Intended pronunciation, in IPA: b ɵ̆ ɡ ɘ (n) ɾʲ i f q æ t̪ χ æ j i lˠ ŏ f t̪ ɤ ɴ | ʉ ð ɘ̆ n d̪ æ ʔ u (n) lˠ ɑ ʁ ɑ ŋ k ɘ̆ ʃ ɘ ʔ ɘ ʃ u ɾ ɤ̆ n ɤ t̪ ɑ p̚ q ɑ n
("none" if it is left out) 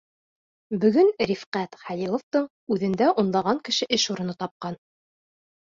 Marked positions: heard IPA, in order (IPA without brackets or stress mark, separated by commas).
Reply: n, n